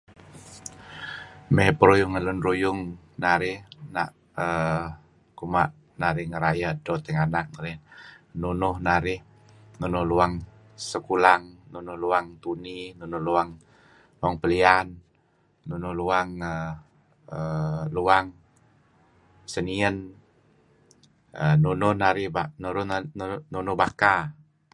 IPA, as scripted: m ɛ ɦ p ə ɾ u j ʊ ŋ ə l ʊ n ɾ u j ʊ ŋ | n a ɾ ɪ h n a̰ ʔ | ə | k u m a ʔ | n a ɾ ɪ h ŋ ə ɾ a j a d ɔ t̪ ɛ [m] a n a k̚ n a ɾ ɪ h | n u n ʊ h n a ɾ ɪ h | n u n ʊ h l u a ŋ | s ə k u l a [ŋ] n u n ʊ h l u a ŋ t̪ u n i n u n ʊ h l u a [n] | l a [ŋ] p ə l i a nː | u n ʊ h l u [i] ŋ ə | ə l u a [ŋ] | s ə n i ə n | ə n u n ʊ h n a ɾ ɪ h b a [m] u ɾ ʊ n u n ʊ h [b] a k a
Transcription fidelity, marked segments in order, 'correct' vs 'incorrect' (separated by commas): incorrect, correct, incorrect, correct, incorrect, correct, incorrect, correct